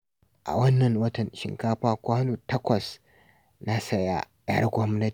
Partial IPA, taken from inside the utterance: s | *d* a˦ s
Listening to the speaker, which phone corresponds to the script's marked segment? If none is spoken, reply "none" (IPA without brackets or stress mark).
n